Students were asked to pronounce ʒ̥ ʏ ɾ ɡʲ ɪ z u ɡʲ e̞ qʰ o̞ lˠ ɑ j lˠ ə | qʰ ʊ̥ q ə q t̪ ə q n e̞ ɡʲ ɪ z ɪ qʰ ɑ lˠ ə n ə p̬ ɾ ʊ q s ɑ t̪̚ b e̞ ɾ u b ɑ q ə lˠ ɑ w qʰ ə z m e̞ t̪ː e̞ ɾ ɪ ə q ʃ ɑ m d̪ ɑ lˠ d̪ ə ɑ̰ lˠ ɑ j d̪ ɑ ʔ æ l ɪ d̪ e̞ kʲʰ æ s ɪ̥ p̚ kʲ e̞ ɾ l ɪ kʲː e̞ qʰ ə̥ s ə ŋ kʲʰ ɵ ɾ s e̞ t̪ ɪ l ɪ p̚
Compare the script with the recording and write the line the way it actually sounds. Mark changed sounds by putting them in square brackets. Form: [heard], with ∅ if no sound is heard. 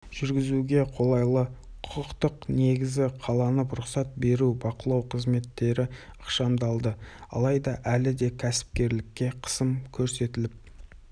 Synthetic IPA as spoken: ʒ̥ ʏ ɾ ɡʲ ɪ z u ɡʲ e̞ qʰ o̞ lˠ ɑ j lˠ ə | qʰ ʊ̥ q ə q t̪ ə q n e̞ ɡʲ ɪ z ɪ qʰ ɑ lˠ [ɑ] n ə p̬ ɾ ʊ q s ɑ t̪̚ b e̞ ɾ u b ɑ q ə lˠ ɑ w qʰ ə z m e̞ t̪ː e̞ ɾ ɪ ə q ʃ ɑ m d̪ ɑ lˠ d̪ ə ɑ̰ lˠ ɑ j d̪ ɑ ʔ æ l ɪ d̪ e̞ kʲʰ æ s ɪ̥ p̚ kʲ e̞ ɾ l ɪ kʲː e̞ qʰ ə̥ s ə [m] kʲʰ ɵ ɾ s e̞ t̪ ɪ l ɪ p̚

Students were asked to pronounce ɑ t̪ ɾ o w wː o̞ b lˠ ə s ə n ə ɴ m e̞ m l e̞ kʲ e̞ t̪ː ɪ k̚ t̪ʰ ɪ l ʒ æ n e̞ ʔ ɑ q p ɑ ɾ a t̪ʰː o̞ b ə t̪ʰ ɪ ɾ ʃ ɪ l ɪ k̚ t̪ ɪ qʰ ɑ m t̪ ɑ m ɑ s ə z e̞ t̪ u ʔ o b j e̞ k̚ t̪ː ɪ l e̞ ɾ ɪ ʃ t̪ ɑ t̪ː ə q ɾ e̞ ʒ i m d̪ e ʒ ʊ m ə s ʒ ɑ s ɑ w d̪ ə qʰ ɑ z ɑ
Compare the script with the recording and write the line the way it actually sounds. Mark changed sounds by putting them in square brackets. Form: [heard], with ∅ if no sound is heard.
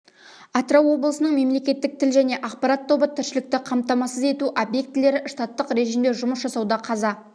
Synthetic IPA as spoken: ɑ t̪ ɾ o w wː o̞ b lˠ ə s ə n ə ɴ m e̞ m l e̞ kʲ e̞ t̪ː ɪ k̚ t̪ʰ ɪ l ʒ æ n e̞ ʔ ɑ q p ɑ ɾ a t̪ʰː o̞ b ə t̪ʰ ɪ ɾ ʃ ɪ l ɪ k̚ t̪ ɪ qʰ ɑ m t̪ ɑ m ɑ s ə z e̞ t̪ u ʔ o b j e̞ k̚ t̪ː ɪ l e̞ ɾ ɪ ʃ t̪ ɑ t̪ː ə q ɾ e̞ ʒ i m d̪ e ʒ ʊ m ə s ʒ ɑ s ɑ w d̪ [ɑ] qʰ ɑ z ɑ

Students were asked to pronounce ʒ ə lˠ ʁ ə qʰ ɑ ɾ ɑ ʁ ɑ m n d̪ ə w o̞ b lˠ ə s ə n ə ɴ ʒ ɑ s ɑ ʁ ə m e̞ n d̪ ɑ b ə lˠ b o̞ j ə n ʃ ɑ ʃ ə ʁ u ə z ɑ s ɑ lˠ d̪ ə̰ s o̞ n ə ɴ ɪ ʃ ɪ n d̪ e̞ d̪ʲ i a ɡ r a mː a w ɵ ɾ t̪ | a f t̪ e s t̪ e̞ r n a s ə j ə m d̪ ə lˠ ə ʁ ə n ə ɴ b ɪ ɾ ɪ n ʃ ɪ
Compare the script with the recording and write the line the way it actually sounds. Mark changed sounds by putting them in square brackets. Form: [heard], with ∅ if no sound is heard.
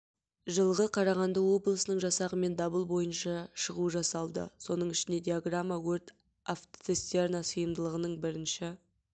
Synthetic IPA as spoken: ʒ ə lˠ ʁ ə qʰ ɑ ɾ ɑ ʁ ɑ [∅] n d̪ ə w o̞ b lˠ ə s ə n ə ɴ ʒ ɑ s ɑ ʁ ə m e̞ n d̪ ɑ b ə lˠ b o̞ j ə n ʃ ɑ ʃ ə ʁ u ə [ʒ] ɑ s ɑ lˠ d̪ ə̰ s o̞ n ə ɴ ɪ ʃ ɪ n d̪ e̞ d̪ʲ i a ɡ r a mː a w ɵ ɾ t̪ | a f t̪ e s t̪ e̞ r n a s ə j ə m d̪ ə lˠ ə ʁ ə n ə ɴ b ɪ ɾ ɪ n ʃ ɪ

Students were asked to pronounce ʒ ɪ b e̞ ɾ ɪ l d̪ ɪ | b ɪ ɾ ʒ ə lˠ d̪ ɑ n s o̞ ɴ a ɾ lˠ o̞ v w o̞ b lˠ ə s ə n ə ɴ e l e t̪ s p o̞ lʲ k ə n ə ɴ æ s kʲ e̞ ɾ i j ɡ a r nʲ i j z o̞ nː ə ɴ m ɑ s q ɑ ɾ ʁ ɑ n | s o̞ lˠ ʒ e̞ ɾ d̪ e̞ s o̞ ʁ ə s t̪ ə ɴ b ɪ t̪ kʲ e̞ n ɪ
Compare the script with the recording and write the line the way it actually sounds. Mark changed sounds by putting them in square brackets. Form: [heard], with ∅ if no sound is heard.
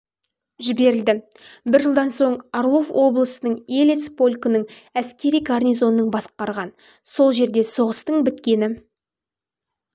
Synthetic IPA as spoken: ʒ ɪ b e̞ ɾ ɪ l d̪ ɪ | b ɪ ɾ ʒ ə lˠ d̪ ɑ n s o̞ ɴ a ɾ lˠ o̞ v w o̞ b lˠ ə s ə n ə ɴ e l e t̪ s p o̞ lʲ k ə n ə ɴ æ s kʲ e̞ ɾ i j ɡ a r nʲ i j z o̞ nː ə ɴ [b] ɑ s q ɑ ɾ ʁ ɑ n | s o̞ lˠ ʒ e̞ ɾ d̪ e̞ s o̞ ʁ ə s t̪ ə ɴ b ɪ t̪ kʲ e̞ n ɪ

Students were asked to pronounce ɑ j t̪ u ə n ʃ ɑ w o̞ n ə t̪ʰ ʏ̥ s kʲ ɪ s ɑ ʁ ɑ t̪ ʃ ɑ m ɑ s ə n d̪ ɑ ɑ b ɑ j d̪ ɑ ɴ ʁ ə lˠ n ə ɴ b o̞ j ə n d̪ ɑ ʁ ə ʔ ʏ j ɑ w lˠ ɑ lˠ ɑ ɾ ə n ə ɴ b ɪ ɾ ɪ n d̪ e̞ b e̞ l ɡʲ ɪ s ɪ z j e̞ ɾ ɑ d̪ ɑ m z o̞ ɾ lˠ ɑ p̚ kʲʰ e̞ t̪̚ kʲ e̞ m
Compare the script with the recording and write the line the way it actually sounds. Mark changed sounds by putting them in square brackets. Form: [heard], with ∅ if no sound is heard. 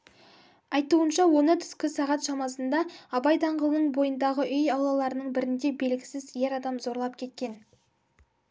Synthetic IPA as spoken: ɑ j t̪ u ə n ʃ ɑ w o̞ n ə t̪ʰ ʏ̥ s kʲ ɪ s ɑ ʁ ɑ t̪ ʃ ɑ m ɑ s ə n d̪ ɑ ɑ b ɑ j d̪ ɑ ɴ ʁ ə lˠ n ə ɴ b o̞ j ə n d̪ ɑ ʁ ə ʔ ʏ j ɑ w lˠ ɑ lˠ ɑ ɾ ə n ə ɴ b ɪ ɾ ɪ n d̪ e̞ b e̞ l ɡʲ ɪ s ɪ z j e̞ ɾ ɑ d̪ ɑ m z o̞ ɾ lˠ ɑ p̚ kʲʰ e̞ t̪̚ kʲ e̞ [n]

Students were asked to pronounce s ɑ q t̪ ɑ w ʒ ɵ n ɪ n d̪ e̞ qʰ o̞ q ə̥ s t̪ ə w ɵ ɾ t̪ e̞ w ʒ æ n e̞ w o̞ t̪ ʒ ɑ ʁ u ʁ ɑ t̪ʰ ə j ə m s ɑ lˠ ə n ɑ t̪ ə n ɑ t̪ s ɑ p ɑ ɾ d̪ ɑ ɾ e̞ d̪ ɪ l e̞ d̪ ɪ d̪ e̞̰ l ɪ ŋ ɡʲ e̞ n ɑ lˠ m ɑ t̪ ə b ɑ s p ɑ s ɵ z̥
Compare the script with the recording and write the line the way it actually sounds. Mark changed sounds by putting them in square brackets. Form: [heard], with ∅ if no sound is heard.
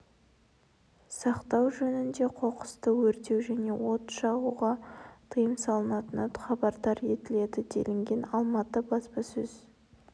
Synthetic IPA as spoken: s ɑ q t̪ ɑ w ʒ ɵ n ɪ n d̪ e̞ qʰ o̞ q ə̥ s t̪ ə w ɵ ɾ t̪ e̞ w ʒ æ n e̞ w o̞ t̪ [ʃ] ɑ ʁ u ʁ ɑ t̪ʰ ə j ə m s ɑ lˠ ə n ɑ t̪ ə n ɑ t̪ [χ] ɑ [b] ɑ ɾ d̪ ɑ ɾ e̞ [t̪] ɪ l e̞ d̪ ɪ d̪ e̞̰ l ɪ ŋ ɡʲ e̞ n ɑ lˠ m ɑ t̪ ə b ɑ s p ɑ s ɵ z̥

